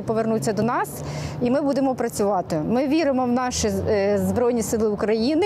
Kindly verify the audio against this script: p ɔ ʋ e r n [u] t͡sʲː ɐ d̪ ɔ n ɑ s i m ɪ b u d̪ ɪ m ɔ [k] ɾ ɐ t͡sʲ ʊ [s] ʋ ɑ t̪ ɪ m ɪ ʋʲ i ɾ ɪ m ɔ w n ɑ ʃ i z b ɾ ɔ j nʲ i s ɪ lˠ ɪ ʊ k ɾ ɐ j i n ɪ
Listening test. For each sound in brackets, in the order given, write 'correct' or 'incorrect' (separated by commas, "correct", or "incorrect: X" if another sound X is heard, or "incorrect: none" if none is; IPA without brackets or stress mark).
correct, incorrect: p, incorrect: none